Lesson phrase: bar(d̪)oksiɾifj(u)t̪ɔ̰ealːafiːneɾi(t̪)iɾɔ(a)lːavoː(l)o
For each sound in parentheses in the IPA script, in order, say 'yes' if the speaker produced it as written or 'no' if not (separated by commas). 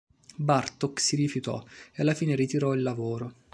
no, yes, yes, no, no